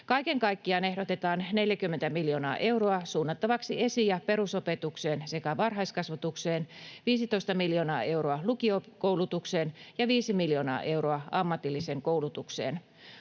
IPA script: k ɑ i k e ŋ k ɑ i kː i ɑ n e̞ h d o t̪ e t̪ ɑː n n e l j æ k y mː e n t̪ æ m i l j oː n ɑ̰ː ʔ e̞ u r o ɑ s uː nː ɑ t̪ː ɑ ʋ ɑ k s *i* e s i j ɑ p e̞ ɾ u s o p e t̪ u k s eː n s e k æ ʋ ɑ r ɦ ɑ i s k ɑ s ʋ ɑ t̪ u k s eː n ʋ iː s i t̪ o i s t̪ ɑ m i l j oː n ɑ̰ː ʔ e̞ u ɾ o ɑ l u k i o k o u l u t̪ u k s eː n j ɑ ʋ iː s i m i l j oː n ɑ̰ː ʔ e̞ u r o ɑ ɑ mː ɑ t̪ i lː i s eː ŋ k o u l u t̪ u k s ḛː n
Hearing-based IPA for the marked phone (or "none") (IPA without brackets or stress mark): i